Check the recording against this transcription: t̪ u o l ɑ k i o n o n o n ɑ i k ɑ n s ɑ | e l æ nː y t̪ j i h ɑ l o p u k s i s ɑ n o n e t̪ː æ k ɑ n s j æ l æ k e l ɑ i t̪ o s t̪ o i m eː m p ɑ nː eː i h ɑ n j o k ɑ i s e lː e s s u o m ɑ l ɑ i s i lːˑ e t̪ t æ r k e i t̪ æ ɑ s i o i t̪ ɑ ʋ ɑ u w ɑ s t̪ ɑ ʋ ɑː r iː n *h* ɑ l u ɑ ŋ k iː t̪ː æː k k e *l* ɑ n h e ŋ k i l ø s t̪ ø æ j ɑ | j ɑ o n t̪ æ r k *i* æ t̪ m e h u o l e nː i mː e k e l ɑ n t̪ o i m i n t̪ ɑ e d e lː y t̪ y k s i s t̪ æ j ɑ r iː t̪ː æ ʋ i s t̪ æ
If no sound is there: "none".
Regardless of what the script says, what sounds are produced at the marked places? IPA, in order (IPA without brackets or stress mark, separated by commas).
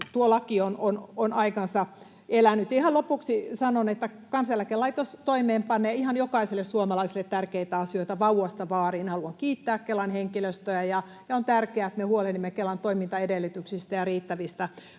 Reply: h, l, e